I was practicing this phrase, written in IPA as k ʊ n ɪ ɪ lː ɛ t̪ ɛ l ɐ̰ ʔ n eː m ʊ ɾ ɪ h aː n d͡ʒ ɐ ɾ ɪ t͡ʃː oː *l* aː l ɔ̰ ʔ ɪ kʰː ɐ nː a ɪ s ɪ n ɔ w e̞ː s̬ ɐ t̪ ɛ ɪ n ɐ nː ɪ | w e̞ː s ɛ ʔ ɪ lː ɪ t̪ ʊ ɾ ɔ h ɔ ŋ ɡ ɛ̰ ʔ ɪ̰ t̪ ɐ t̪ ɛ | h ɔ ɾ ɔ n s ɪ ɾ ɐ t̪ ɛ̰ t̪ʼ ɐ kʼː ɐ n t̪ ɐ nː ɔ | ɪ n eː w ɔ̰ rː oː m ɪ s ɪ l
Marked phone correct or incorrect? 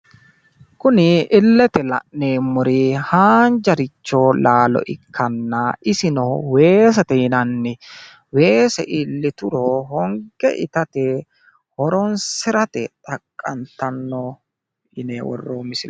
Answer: correct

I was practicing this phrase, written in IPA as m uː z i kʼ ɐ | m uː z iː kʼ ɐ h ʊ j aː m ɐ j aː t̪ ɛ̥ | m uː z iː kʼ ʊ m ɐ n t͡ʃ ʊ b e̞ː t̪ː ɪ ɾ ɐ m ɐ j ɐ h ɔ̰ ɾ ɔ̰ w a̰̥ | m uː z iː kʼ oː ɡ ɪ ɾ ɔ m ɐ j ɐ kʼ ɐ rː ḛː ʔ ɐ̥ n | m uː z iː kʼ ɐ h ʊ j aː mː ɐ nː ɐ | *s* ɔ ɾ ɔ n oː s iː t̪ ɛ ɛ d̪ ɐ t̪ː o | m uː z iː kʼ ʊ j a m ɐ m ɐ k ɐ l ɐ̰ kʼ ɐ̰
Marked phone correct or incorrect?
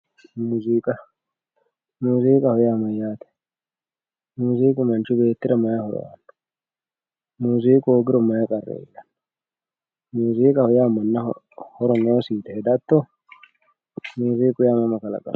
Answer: incorrect: h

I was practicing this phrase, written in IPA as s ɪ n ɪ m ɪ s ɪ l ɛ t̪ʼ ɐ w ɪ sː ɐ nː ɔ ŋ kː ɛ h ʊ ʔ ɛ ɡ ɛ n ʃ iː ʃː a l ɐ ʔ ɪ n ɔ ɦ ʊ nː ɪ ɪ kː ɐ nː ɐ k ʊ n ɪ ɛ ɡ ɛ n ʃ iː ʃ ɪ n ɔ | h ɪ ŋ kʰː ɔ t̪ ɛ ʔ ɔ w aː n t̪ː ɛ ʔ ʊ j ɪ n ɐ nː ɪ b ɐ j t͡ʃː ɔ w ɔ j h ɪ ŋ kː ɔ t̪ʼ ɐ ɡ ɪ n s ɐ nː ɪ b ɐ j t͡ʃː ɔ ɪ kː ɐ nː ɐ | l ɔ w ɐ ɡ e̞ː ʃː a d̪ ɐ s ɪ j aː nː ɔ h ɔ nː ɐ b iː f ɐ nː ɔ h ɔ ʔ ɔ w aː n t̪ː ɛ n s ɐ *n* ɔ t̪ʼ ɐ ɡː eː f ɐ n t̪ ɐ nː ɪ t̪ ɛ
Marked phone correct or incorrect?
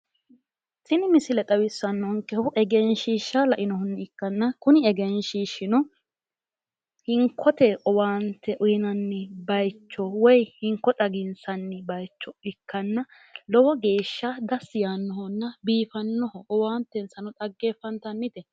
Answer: correct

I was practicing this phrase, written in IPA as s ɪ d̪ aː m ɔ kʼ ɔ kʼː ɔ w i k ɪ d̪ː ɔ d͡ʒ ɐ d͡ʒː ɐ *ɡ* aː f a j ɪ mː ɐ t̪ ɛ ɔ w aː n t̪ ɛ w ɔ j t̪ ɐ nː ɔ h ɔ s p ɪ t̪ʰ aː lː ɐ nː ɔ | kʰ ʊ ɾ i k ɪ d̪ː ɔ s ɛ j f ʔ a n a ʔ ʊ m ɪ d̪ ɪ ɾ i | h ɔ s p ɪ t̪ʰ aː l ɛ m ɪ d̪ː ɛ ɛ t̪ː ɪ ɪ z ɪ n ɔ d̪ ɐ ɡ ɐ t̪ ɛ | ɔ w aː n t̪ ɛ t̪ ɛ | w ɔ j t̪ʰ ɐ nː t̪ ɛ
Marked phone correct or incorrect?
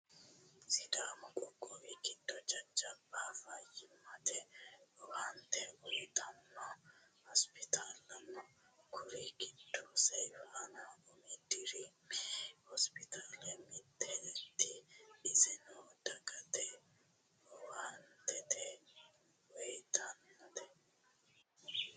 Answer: incorrect: b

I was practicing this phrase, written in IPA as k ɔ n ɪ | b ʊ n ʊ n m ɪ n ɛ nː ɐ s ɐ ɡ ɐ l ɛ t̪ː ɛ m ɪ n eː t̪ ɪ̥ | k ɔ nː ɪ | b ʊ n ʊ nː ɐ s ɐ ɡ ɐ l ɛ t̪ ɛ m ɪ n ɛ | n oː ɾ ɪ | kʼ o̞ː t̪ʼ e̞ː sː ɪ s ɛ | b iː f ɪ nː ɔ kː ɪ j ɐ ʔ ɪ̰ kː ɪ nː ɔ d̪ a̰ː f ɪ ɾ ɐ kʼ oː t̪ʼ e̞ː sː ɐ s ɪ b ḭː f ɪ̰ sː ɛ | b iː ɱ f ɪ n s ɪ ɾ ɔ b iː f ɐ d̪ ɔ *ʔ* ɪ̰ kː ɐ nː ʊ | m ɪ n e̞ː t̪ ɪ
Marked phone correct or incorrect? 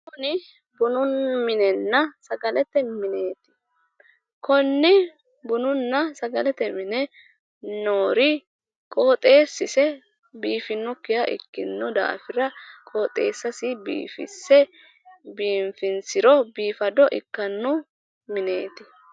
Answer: correct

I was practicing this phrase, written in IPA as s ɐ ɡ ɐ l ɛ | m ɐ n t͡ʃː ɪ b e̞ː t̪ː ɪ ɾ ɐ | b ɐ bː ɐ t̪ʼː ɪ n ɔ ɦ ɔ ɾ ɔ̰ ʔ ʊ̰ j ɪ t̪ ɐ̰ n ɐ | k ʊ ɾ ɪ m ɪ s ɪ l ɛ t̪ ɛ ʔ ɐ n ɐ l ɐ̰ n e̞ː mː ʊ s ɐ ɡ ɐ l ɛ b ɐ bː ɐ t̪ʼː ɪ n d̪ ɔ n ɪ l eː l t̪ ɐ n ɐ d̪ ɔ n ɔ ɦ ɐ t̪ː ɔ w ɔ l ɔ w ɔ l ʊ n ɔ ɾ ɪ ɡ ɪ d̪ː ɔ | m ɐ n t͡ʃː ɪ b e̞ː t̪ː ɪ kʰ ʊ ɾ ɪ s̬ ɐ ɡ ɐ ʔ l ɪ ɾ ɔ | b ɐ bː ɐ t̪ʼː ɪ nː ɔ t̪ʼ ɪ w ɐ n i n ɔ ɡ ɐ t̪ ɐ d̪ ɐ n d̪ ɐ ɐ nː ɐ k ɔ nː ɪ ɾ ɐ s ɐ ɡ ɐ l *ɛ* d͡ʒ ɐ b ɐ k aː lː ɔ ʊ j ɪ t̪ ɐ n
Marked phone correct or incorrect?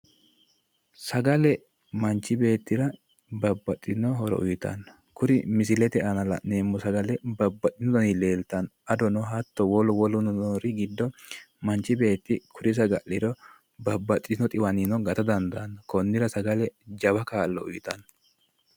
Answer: correct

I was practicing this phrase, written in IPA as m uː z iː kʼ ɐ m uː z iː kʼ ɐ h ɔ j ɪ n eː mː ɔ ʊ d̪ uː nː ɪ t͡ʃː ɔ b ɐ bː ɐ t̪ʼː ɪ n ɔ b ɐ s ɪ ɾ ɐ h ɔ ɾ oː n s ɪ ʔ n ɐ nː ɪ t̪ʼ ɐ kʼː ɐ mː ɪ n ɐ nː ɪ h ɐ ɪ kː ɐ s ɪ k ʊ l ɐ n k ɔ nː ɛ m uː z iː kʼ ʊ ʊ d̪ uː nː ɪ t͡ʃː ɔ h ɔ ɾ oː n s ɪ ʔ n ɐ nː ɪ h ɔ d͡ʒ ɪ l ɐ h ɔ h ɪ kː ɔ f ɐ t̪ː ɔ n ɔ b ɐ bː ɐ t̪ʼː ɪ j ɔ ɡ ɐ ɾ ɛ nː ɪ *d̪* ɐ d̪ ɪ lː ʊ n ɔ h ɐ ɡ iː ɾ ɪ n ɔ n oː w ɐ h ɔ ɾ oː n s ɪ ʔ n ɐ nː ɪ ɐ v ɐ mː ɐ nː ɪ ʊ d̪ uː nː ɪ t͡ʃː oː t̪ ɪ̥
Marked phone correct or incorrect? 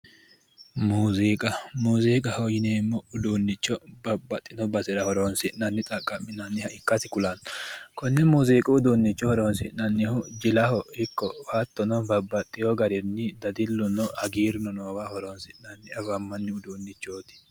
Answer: correct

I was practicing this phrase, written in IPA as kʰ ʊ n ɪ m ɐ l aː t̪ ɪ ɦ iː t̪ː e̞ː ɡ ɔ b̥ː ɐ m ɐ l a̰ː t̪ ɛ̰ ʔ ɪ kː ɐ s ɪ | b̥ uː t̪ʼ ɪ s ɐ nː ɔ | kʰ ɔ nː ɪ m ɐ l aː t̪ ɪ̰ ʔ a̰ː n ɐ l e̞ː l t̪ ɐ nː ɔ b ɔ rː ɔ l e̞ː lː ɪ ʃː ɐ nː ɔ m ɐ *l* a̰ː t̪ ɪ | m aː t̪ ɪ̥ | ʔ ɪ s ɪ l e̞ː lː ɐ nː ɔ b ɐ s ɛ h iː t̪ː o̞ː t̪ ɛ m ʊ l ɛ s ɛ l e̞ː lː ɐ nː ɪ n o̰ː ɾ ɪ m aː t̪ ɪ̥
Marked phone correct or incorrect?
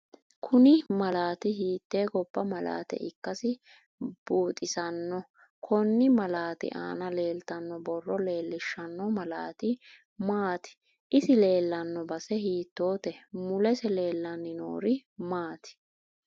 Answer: correct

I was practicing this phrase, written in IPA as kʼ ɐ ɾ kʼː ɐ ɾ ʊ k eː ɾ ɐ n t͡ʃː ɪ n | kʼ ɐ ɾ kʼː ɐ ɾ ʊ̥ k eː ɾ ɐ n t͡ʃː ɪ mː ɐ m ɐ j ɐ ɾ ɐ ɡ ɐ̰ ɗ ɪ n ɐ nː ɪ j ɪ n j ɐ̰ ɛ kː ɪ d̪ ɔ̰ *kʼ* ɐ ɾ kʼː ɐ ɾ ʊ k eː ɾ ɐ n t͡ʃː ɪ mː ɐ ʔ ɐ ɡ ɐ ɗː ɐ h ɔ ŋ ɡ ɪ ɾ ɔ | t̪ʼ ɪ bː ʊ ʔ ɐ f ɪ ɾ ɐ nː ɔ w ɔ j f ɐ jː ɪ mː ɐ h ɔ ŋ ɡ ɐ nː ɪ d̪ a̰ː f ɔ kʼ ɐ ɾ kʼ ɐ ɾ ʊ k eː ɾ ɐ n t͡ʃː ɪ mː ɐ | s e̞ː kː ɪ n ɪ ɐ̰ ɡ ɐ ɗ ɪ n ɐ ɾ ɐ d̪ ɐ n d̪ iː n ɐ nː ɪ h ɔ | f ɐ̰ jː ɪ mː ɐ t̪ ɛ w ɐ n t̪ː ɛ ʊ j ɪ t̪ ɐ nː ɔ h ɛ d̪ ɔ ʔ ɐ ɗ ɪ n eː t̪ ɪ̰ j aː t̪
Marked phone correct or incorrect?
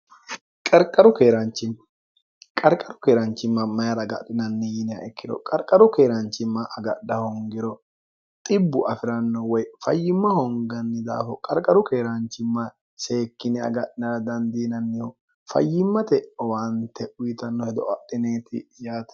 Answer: correct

